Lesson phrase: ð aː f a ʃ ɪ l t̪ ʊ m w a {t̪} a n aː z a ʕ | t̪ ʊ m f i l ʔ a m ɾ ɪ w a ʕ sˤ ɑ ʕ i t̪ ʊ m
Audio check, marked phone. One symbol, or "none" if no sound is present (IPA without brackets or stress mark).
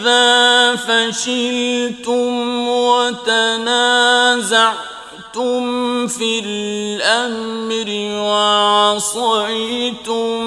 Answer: t̪